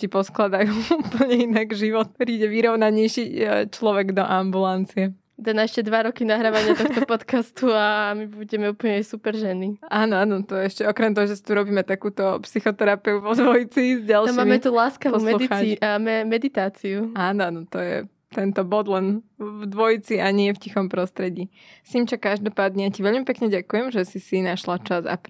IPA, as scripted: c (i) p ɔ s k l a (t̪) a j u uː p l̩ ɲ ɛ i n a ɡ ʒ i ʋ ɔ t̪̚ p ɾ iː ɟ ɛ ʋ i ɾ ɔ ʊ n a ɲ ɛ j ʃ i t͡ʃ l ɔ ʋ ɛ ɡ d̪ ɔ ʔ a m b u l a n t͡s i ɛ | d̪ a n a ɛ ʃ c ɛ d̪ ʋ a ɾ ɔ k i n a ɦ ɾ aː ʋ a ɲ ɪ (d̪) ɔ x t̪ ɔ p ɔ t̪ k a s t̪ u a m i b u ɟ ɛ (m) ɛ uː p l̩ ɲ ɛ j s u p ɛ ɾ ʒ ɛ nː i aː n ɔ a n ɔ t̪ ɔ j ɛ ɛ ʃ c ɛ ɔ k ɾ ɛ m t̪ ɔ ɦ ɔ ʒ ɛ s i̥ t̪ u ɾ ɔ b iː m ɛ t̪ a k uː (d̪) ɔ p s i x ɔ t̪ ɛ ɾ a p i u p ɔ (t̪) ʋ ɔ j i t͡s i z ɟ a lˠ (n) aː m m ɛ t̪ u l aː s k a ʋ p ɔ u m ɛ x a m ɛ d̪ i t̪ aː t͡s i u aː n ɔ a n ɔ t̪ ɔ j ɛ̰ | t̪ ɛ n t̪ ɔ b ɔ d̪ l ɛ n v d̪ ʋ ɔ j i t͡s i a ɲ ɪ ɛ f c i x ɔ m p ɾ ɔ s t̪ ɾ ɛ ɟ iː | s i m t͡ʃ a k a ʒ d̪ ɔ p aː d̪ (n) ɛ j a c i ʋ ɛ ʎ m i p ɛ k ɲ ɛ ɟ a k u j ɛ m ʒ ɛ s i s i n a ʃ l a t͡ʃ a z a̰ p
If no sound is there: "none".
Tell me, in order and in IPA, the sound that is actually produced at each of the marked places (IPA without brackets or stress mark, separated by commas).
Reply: i, d̪, t̪, m, t̪, d̪, m, ɲ